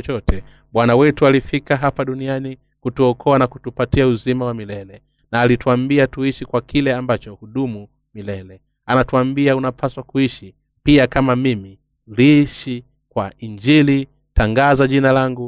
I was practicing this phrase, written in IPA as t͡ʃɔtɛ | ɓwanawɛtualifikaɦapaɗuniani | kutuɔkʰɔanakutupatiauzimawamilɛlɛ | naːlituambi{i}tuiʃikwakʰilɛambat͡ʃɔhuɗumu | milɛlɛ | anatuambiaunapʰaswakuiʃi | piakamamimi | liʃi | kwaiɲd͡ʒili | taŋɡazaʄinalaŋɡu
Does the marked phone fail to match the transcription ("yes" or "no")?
yes